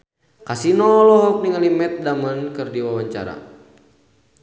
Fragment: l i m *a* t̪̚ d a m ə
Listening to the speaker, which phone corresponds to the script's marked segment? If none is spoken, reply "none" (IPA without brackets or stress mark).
ɛ